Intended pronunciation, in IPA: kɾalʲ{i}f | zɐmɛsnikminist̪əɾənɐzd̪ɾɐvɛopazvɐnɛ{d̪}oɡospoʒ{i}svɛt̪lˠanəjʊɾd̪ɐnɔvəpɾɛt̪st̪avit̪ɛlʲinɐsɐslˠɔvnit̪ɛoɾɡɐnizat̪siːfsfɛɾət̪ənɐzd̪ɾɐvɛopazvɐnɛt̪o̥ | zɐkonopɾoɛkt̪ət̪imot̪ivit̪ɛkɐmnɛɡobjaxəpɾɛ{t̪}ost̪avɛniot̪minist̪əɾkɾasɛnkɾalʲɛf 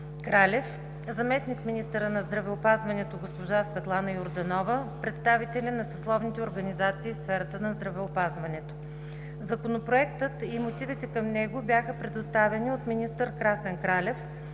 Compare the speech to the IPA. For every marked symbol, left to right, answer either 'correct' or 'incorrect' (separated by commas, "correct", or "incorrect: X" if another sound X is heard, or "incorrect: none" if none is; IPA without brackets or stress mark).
incorrect: ɛ, incorrect: t̪, incorrect: a, incorrect: d̪